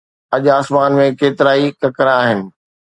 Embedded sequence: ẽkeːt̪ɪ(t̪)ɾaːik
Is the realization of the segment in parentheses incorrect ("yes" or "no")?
yes